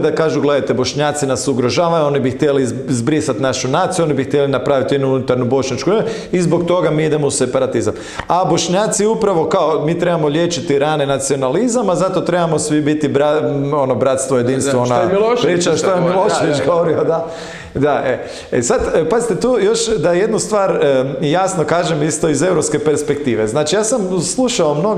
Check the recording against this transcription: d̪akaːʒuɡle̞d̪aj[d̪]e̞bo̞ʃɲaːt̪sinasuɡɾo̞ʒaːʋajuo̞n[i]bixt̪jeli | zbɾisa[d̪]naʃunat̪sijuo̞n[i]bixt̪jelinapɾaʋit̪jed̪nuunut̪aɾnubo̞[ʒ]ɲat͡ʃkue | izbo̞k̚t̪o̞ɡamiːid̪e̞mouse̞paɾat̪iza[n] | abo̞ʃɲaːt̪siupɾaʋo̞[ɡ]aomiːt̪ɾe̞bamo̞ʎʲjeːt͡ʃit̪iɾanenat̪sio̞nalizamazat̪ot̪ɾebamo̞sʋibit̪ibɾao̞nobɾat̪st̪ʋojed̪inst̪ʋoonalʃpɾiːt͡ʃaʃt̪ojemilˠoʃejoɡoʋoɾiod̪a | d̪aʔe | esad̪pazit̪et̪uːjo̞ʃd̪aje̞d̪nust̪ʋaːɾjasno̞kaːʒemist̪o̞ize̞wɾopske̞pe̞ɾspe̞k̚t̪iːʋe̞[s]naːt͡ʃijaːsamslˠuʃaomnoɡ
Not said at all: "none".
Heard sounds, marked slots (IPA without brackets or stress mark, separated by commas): t̪, i, t̪, i, ʃ, m, k, z